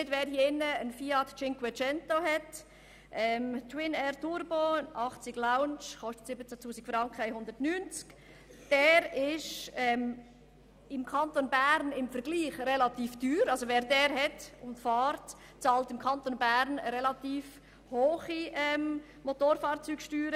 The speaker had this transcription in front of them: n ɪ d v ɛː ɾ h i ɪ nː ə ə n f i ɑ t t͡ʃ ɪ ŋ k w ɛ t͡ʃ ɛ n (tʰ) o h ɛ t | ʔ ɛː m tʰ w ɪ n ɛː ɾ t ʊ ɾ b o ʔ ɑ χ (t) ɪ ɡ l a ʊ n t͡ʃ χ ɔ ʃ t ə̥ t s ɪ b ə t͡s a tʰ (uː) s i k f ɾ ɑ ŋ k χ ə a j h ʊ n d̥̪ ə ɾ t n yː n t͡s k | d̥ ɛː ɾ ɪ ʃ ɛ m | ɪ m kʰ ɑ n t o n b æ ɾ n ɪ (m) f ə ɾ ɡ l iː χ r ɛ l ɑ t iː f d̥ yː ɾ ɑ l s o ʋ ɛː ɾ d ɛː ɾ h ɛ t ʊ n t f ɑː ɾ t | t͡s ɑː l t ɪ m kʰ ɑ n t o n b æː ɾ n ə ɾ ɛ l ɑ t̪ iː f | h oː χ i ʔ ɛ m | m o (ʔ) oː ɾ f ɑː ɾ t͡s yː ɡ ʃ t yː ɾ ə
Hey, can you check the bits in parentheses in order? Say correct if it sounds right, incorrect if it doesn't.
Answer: incorrect: t, incorrect: t͡s, correct, correct, incorrect: t

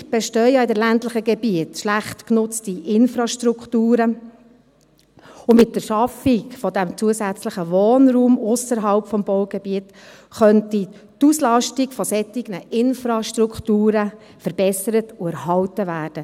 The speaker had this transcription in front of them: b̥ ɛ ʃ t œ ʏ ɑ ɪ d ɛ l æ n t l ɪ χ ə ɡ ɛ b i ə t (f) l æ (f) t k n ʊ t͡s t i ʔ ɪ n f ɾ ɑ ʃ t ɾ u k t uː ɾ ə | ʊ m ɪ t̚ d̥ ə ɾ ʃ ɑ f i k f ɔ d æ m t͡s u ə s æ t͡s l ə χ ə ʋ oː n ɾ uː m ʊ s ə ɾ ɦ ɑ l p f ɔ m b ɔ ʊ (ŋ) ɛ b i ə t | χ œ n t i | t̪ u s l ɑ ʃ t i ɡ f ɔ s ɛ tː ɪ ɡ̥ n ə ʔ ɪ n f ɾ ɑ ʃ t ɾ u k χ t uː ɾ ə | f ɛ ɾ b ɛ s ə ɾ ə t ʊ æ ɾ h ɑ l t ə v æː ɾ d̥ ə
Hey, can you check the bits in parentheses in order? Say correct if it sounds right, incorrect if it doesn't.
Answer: incorrect: ʃ, incorrect: χ, incorrect: ɡ

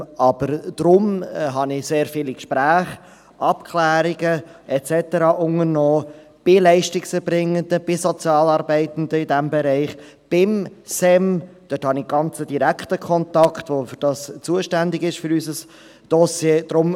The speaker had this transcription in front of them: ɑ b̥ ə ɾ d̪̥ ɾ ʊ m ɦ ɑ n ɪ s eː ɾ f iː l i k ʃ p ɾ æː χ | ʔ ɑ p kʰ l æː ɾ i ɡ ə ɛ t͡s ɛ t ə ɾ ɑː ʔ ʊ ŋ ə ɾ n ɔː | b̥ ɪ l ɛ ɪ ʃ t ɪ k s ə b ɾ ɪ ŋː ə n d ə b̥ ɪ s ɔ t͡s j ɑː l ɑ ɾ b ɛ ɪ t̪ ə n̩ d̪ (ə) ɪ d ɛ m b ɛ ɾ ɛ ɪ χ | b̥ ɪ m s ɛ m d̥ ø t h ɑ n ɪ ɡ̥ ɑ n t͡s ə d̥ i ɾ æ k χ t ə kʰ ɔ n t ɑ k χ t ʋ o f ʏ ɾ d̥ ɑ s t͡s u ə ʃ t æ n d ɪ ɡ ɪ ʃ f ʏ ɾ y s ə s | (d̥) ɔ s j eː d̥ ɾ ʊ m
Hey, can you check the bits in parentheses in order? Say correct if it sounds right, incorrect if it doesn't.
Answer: correct, correct

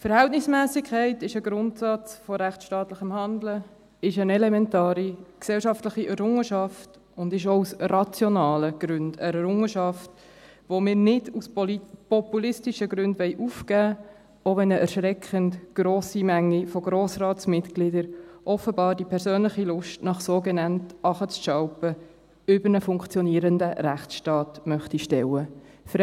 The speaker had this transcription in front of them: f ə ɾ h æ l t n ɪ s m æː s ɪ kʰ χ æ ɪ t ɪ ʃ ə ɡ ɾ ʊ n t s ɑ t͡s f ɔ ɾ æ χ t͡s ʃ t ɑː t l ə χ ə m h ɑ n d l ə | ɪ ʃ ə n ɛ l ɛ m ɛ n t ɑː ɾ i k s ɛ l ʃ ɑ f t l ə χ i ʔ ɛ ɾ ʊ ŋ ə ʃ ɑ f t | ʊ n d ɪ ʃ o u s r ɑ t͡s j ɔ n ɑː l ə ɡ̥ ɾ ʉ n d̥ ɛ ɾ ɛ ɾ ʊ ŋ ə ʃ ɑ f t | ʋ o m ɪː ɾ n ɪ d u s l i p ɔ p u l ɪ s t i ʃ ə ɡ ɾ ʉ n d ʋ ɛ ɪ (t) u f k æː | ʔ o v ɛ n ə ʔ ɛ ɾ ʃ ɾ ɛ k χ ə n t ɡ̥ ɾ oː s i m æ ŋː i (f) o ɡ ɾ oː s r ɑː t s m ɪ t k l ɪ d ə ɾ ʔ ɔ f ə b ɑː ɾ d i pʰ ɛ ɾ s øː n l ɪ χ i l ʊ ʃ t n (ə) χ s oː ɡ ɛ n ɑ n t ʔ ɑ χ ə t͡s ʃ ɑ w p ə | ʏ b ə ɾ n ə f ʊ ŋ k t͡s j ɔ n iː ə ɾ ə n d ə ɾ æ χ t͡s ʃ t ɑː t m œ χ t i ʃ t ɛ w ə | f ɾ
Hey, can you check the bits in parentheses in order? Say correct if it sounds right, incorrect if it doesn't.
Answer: incorrect: ʔ, correct, incorrect: ɑ

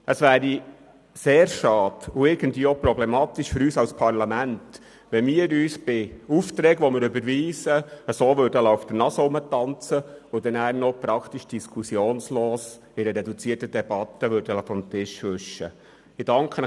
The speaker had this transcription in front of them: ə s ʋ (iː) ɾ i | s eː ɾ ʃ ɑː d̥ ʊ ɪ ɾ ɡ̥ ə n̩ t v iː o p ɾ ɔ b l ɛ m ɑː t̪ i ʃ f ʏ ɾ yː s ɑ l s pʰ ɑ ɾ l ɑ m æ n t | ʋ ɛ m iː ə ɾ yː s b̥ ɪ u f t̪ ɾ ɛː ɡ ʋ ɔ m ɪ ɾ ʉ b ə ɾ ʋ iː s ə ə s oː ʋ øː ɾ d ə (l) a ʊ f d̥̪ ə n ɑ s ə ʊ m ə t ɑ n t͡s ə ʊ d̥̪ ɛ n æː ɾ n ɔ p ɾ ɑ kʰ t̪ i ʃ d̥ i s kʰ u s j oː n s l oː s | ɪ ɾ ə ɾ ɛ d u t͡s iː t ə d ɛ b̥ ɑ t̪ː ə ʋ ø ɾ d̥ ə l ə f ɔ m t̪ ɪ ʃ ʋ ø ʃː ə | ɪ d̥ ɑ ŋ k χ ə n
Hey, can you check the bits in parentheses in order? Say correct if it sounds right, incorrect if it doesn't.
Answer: incorrect: æː, correct

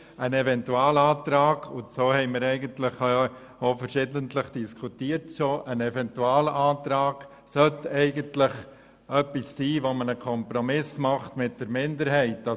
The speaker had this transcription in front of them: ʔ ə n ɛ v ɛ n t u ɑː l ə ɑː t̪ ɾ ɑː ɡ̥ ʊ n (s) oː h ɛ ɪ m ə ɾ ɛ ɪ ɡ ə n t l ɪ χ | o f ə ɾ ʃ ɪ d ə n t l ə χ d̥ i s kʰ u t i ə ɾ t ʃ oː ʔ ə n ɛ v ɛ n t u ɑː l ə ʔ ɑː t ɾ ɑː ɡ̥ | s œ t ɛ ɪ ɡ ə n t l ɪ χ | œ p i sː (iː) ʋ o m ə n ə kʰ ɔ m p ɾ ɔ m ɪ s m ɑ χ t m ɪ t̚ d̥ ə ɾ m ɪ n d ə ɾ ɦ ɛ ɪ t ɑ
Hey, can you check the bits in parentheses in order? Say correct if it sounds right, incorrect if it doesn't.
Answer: correct, correct

